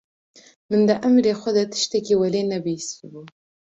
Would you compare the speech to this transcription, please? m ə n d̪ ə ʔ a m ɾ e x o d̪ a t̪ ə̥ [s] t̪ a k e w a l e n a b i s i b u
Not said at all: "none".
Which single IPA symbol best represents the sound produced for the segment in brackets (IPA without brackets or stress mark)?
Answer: ʃ